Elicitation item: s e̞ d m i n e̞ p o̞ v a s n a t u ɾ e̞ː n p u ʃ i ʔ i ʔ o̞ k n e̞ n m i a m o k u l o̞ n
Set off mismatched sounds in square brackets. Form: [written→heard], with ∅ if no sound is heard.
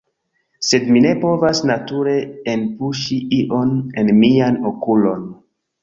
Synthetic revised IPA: s e̞ d m i n e̞ p o̞ v a s n a t u ɾ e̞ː n p u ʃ i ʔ i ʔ o̞ [k→∅] n e̞ n m i a [m→n] o k u l o̞ n